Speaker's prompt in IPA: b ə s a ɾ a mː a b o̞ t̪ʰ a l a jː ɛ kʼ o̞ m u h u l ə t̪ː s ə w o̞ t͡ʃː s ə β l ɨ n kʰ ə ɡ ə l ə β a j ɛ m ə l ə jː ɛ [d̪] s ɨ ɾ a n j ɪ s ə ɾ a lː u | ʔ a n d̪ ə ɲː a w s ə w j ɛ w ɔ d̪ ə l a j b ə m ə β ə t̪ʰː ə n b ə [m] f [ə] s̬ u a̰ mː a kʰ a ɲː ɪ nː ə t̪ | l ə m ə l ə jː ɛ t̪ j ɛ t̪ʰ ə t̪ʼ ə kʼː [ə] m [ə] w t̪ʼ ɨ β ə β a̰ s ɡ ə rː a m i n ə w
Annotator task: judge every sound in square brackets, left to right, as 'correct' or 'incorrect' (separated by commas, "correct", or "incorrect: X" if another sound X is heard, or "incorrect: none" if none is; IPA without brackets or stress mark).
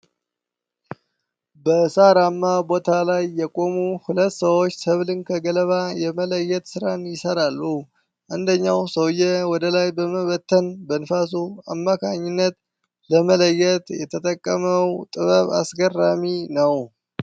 incorrect: t̪, incorrect: n, incorrect: a, correct, correct